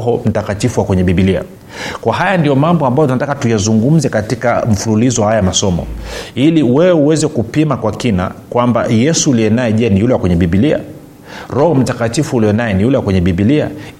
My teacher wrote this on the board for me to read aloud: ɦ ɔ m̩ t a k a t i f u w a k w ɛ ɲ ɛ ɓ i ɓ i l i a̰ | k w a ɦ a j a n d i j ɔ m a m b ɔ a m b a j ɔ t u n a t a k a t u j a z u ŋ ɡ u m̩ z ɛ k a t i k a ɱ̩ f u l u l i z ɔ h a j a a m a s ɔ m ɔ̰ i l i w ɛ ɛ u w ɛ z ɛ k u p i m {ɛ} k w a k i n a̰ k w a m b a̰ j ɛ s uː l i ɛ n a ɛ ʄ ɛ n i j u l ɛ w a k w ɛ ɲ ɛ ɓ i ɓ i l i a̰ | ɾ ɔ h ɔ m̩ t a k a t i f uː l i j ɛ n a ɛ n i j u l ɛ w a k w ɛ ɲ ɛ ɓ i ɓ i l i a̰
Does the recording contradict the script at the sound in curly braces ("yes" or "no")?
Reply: yes